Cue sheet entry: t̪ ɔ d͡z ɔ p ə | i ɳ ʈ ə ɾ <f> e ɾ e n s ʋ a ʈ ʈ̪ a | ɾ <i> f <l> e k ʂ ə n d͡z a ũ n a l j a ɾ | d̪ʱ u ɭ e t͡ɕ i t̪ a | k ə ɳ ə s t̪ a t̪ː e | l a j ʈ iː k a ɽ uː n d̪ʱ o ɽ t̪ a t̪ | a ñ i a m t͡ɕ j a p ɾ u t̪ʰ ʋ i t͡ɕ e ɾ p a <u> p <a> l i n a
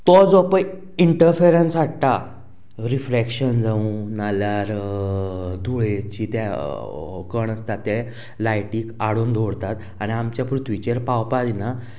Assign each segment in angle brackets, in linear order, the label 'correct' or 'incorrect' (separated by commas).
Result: correct, correct, incorrect, incorrect, correct